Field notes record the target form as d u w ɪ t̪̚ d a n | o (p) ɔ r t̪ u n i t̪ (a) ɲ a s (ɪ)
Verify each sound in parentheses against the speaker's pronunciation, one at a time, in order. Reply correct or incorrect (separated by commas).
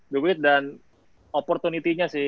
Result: correct, incorrect, correct